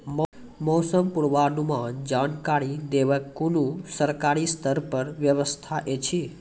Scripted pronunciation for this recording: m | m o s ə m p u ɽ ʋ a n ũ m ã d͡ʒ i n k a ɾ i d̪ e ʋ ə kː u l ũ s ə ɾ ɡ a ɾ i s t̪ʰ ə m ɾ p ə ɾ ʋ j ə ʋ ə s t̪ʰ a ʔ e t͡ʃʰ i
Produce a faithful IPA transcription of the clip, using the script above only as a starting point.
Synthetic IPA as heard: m | m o s ə m p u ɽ ʋ a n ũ m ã d͡ʒ a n k a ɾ i d̪ e ʋ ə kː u l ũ s ə ɾ k a ɾ i s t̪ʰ ə ɾ p ə ɾ ʋ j ə ʋ ə s t̪ʰ a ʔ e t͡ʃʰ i